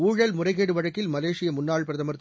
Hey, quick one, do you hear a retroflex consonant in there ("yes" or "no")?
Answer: yes